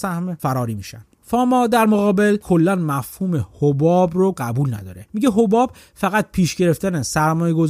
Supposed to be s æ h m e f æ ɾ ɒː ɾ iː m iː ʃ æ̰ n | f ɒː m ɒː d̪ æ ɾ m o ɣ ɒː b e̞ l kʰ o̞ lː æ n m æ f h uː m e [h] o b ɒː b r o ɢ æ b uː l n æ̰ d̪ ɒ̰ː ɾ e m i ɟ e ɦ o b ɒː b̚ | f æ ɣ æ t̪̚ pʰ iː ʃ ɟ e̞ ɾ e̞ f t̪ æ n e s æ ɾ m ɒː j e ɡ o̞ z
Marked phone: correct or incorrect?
correct